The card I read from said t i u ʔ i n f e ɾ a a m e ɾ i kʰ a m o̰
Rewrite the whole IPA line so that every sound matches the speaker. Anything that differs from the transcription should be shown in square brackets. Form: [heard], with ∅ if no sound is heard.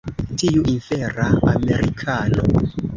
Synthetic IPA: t i u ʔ i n f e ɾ a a m e ɾ i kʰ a [n] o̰